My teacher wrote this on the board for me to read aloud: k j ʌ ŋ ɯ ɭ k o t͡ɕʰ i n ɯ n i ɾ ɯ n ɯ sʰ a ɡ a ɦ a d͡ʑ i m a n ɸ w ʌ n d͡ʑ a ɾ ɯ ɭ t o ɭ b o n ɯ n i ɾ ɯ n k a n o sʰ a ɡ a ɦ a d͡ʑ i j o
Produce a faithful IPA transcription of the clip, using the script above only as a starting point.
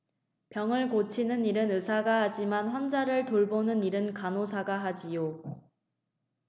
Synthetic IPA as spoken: p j ʌ ŋ ɯ ɭ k o t͡ɕʰ i n ɯ n i ɾ ɯ n ɯ sʰ a ɡ a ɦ a d͡ʑ i m a n ɸ w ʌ n d͡ʑ a ɾ ɯ ɭ t o ɭ b o n ɯ n i ɾ ɯ n k a n o sʰ a ɡ a ɦ a d͡ʑ i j o